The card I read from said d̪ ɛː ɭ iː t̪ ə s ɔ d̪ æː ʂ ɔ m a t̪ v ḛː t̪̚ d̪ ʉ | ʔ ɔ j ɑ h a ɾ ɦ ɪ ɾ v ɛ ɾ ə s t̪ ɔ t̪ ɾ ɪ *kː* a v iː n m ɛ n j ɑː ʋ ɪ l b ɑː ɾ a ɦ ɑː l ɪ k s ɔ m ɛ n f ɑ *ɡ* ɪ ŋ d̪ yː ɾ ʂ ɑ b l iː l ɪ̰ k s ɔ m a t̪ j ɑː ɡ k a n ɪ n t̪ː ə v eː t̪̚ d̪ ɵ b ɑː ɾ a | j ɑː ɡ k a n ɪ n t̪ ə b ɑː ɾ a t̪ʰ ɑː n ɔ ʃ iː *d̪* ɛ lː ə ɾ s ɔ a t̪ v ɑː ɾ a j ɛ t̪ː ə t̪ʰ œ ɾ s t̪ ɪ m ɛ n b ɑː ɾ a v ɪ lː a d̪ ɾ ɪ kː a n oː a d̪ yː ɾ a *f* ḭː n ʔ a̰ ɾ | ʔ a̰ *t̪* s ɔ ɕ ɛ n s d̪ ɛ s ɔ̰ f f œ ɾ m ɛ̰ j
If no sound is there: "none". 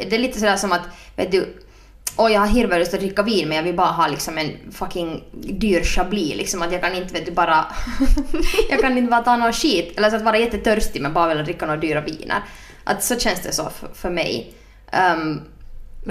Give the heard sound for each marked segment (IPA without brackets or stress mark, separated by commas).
kː, k, t̪, v, t̪